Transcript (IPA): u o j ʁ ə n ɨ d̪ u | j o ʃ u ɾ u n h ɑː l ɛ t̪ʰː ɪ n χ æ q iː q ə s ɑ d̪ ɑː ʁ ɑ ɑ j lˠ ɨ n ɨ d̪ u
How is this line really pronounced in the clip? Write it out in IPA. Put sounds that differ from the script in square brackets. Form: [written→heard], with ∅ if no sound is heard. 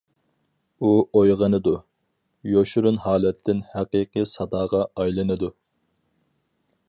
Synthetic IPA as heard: u o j ʁ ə n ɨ d̪ u | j o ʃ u ɾ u n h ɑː l ɛ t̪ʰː ɪ n [χ→h] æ q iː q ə s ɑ d̪ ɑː ʁ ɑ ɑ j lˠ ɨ n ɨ d̪ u